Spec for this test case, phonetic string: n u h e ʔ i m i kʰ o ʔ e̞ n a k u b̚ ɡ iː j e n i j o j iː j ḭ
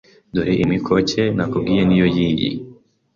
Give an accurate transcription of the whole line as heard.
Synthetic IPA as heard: d u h e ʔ i m i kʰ o c e̞ n a k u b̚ ɡ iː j e n i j o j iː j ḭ